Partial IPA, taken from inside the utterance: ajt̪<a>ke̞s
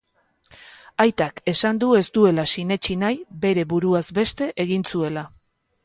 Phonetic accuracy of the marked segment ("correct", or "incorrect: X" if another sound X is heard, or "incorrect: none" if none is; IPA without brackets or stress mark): correct